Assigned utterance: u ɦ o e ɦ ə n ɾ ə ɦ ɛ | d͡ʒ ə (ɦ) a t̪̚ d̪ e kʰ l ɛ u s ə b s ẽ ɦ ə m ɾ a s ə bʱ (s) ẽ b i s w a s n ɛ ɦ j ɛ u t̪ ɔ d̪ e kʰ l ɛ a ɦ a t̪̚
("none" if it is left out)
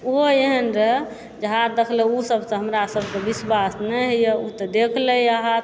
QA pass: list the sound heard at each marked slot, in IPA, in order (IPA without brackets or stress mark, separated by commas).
ɦ, s